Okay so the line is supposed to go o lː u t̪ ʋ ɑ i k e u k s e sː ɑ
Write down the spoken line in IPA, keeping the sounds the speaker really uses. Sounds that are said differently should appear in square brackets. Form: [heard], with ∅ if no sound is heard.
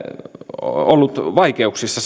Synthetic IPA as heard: o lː u t̪ ʋ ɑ i k e u k s [i] sː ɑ